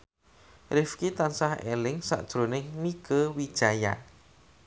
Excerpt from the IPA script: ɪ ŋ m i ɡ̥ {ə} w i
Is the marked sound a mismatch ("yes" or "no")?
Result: no